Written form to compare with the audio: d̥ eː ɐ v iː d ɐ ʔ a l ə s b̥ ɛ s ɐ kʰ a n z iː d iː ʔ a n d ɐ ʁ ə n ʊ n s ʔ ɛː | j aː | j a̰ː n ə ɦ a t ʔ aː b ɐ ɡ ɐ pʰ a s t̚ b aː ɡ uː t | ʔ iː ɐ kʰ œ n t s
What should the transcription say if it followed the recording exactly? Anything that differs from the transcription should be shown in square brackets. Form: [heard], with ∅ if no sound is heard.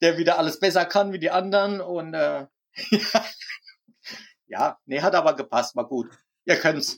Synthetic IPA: d̥ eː ɐ v iː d ɐ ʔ a l ə s b̥ ɛ s ɐ kʰ a n [v] iː d iː ʔ a n d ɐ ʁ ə n ʊ n [t] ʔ ɛː | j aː | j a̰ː n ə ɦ a t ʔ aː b ɐ ɡ [ə] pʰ a s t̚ [m] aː ɡ uː t | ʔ iː ɐ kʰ œ n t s